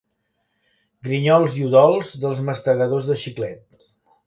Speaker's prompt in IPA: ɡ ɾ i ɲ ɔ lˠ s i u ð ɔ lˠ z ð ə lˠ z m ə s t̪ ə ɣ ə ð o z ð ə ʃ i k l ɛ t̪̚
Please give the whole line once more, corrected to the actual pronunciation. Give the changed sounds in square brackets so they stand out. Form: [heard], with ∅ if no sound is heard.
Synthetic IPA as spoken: ɡ ɾ i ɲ ɔ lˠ [z] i u ð ɔ lˠ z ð ə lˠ z m ə s t̪ ə ɣ ə ð o z ð ə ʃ i k l ɛ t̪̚